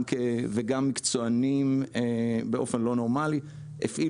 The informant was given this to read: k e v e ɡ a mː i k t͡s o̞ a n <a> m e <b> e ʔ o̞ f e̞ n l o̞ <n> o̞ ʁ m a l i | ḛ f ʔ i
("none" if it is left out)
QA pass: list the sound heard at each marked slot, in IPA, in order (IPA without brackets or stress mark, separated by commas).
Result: i, b, n